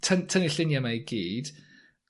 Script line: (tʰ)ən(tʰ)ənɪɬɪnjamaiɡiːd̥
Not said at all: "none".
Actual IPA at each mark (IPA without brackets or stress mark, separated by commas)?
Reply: tʰ, tʰ